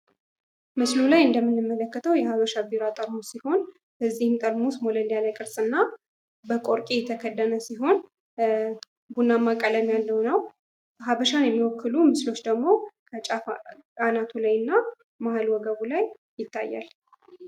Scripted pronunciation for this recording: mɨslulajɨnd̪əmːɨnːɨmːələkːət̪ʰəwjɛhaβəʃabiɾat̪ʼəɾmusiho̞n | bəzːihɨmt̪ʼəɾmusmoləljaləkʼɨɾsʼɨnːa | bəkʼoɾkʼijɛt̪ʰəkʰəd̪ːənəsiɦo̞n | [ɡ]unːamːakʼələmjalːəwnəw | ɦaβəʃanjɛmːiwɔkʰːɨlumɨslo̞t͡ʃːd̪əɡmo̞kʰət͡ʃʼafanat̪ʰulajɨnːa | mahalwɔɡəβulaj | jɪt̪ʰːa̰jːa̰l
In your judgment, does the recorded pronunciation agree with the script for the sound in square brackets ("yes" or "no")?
no